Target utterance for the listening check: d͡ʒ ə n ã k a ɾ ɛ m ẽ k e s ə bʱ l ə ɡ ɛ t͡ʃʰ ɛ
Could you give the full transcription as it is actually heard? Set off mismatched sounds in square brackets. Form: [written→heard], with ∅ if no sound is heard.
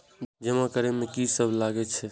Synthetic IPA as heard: d͡ʒ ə [n→m] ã k [a→ə] ɾ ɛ m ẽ k [e→i] s ə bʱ l [ə→a] ɡ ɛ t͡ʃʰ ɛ